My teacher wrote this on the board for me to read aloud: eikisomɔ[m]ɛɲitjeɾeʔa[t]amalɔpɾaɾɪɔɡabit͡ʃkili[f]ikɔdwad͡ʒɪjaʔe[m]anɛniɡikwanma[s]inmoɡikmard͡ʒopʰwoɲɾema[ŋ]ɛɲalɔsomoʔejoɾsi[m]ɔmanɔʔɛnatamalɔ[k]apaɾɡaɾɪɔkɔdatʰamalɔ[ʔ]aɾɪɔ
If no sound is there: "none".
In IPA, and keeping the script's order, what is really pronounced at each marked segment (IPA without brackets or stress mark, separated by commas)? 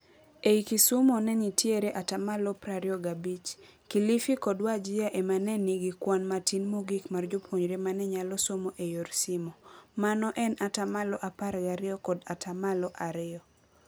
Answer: n, t, f, m, t, n, m, ʔ, ʔ